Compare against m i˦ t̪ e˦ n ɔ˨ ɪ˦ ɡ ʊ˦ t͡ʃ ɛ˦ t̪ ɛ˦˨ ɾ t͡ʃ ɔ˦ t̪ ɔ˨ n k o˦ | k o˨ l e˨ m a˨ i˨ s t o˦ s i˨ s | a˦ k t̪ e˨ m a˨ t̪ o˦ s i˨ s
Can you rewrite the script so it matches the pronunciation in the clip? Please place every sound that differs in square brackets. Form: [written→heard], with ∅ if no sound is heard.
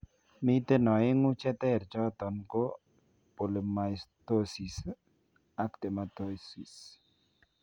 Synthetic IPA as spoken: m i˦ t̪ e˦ n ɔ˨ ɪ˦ [ɡ→ŋ] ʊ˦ t͡ʃ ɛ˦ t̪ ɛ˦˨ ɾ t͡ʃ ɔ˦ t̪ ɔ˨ n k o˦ | [k→p] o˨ l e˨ m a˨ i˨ s t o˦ s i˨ s | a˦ k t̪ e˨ m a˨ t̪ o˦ s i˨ s